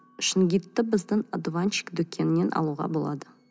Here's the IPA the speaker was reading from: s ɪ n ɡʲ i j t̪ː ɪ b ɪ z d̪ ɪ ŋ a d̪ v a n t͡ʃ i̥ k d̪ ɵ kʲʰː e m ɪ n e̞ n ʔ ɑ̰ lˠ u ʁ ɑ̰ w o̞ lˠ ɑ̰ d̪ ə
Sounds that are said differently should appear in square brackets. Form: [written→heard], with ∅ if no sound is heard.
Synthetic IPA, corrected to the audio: [s→ʃ] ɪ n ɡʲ i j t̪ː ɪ b ɪ z d̪ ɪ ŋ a d̪ v a n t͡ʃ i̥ k d̪ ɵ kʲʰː e [m→n] ɪ n e̞ n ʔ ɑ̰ lˠ u ʁ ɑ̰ [w→b] o̞ lˠ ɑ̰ d̪ ə

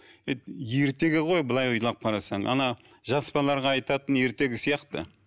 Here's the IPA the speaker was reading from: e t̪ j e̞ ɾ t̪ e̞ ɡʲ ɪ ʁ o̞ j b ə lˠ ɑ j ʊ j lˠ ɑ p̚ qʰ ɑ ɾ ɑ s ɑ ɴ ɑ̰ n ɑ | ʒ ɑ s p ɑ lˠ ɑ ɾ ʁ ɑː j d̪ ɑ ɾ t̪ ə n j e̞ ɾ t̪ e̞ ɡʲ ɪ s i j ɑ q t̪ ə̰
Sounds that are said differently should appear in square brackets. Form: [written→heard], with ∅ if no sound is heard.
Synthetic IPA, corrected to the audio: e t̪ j e̞ ɾ t̪ e̞ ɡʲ ɪ ʁ o̞ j b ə lˠ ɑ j ʊ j lˠ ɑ p̚ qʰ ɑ ɾ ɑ s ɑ ɴ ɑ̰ n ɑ | ʒ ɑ s p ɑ lˠ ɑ ɾ ʁ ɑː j [d̪→t̪] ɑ [ɾ→∅] t̪ ə n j e̞ ɾ t̪ e̞ ɡʲ ɪ s i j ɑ q t̪ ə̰

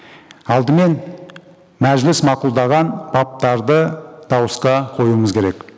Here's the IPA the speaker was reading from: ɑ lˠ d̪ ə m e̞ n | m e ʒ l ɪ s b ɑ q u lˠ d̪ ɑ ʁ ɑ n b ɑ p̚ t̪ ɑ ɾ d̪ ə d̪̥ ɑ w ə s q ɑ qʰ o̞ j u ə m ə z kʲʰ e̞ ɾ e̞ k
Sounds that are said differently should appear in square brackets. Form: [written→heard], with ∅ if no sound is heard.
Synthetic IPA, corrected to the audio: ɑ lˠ d̪ ə m e̞ n | m [e→æ] ʒ l ɪ s [b→m] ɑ q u lˠ d̪ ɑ ʁ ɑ n b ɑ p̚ t̪ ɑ ɾ d̪ ə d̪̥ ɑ w ə s q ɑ qʰ o̞ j u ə m ə z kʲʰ e̞ ɾ e̞ k

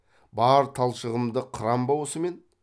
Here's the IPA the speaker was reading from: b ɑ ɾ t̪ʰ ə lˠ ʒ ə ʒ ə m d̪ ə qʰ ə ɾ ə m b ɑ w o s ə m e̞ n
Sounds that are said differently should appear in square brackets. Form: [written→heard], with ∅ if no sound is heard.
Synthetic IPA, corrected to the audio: b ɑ ɾ t̪ʰ [ə→ɑ] lˠ [ʒ→ʃ] ə [ʒ→ʁ] ə m d̪ ə qʰ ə ɾ [ə→ɑ] m b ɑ w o s ə m e̞ n

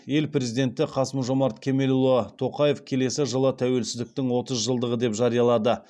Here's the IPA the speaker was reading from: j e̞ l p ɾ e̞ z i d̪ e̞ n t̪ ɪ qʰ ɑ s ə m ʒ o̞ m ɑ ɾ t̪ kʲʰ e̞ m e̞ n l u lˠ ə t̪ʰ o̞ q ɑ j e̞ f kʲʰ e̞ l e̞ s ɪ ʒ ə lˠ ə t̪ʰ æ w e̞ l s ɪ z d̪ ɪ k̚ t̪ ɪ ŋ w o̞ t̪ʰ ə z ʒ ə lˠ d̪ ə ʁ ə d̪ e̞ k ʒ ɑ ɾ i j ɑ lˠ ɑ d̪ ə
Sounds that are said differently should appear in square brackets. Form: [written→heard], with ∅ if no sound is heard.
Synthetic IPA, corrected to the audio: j e̞ l p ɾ e̞ z i d̪ e̞ n t̪ ɪ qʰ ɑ s ə m ʒ o̞ m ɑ ɾ t̪ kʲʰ e̞ m e̞ [n→∅] l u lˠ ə t̪ʰ o̞ q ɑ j e̞ f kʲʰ e̞ l e̞ s ɪ ʒ ə lˠ ə t̪ʰ æ w e̞ l s ɪ z d̪ ɪ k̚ t̪ ɪ ŋ w o̞ [t̪ʰ→t̪] ə z ʒ ə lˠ d̪ ə ʁ ə d̪ e̞ [k→p] ʒ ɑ ɾ i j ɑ lˠ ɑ d̪ ə

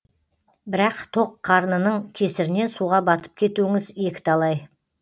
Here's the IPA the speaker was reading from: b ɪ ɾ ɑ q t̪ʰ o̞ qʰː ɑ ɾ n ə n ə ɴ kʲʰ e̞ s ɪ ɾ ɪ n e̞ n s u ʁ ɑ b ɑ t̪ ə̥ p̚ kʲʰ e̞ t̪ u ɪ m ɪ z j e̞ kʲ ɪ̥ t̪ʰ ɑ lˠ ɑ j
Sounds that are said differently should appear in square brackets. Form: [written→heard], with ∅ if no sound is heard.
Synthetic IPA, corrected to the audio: b ɪ ɾ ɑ q t̪ʰ o̞ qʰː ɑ ɾ n ə n ə ɴ kʲʰ e̞ s ɪ ɾ ɪ n e̞ n s u ʁ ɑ b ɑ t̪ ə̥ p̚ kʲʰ e̞ t̪ u ɪ [m→ŋ] ɪ z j e̞ kʲ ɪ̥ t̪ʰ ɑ lˠ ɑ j

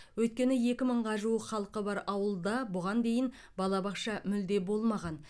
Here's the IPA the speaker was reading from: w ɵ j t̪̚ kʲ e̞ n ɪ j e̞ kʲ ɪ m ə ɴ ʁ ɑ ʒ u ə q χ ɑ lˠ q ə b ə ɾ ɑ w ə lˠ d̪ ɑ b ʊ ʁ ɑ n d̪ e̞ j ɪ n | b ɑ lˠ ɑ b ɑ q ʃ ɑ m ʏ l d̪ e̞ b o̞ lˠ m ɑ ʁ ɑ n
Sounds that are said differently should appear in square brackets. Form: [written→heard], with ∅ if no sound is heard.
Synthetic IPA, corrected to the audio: w ɵ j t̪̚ kʲ e̞ n ɪ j e̞ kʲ ɪ m ə ɴ ʁ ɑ ʒ u ə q χ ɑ lˠ q ə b [ə→ɑ] ɾ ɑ w ə lˠ d̪ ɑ b ʊ ʁ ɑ n d̪ e̞ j ɪ n | b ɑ lˠ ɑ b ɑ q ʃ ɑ m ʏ l d̪ e̞ b o̞ lˠ m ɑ ʁ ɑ n

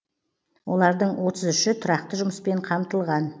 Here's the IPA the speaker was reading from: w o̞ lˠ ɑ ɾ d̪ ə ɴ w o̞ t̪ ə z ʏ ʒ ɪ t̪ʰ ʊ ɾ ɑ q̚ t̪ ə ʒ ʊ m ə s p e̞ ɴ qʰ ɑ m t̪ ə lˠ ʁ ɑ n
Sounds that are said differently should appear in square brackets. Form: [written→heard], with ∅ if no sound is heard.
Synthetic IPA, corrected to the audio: w o̞ lˠ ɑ ɾ d̪ ə ɴ w o̞ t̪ ə z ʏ [ʒ→ʃ] ɪ t̪ʰ ʊ ɾ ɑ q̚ t̪ ə ʒ ʊ m ə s p e̞ ɴ qʰ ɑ m t̪ ə lˠ ʁ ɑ n

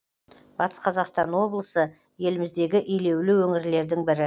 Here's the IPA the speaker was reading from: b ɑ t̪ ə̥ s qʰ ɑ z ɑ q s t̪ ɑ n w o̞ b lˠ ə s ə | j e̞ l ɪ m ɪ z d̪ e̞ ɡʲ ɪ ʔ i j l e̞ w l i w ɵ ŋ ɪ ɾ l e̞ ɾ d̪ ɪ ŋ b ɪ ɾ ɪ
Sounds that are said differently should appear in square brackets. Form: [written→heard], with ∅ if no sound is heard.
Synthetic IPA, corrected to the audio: b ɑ t̪ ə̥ s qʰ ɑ z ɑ q s t̪ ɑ n w o̞ b lˠ ə s ə | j e̞ l ɪ m ɪ z d̪ e̞ ɡʲ ɪ ʔ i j l e̞ w l [i→ɪ] w ɵ ŋ ɪ ɾ l e̞ ɾ d̪ ɪ ŋ b ɪ ɾ ɪ

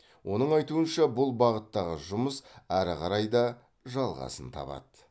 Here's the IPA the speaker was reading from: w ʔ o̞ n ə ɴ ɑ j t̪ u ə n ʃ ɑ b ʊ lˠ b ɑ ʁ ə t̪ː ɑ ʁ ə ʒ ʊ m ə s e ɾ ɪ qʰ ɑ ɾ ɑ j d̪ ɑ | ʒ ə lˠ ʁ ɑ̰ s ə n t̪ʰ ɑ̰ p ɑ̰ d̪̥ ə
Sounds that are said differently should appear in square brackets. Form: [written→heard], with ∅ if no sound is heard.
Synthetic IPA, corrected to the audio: w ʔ o̞ n ə ɴ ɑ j t̪ u ə n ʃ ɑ b ʊ lˠ b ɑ ʁ ə t̪ː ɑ ʁ ə ʒ ʊ m ə s [e→æ] ɾ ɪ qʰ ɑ ɾ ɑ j d̪ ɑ | ʒ [ə→ɑ] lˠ ʁ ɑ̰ s ə n t̪ʰ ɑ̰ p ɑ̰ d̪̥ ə

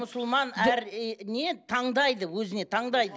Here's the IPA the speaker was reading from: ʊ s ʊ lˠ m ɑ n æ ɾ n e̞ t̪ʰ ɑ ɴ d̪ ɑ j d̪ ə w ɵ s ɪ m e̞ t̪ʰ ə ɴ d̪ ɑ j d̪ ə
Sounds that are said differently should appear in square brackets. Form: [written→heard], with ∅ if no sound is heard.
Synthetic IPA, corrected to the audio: ʊ s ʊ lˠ m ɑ n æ ɾ n e̞ t̪ʰ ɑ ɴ d̪ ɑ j d̪ ə w ɵ [s→z] ɪ [m→n] e̞ t̪ʰ [ə→ɑ] ɴ d̪ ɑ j d̪ ə

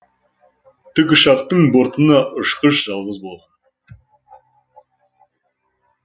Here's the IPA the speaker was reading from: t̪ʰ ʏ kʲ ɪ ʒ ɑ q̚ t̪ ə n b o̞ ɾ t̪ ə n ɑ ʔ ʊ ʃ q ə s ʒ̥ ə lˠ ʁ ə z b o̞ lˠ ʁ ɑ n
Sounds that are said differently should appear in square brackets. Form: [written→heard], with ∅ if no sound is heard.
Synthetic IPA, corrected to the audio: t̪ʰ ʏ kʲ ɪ [ʒ→ʃ] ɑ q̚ t̪ ə [n→ɴ] b o̞ ɾ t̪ ə n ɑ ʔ ʊ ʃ q ə [s→ʃ] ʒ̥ [ə→ɑ] lˠ ʁ ə z b o̞ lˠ ʁ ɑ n

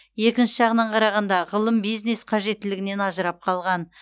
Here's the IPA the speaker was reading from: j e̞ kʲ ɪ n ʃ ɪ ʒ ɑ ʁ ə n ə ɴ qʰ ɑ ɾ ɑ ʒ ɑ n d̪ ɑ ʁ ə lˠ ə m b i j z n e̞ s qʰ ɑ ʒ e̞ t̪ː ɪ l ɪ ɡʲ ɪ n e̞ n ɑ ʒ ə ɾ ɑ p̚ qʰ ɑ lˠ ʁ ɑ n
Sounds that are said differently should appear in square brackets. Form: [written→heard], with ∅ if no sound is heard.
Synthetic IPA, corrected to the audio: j e̞ kʲ ɪ n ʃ ɪ ʒ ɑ ʁ ə n [ə→ɑ] ɴ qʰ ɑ ɾ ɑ [ʒ→ʁ] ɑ n d̪ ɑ ʁ ə lˠ ə m b i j z n e̞ s qʰ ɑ ʒ e̞ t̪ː ɪ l ɪ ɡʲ ɪ n e̞ n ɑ ʒ ə ɾ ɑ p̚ qʰ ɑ lˠ ʁ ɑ n

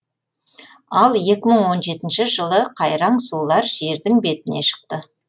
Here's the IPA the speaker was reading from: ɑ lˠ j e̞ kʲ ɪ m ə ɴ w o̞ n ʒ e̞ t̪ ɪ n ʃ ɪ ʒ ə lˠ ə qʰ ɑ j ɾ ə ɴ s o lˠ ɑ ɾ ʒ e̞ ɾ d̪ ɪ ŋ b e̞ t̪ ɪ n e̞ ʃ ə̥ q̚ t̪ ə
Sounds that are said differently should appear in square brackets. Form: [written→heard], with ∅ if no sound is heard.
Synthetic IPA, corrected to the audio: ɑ lˠ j e̞ kʲ ɪ m ə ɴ w o̞ n ʒ e̞ t̪ ɪ n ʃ ɪ ʒ ə lˠ ə qʰ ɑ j ɾ [ə→ɑ] ɴ s [o→u] lˠ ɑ ɾ ʒ e̞ ɾ d̪ ɪ ŋ b e̞ t̪ ɪ n e̞ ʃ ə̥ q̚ t̪ ə

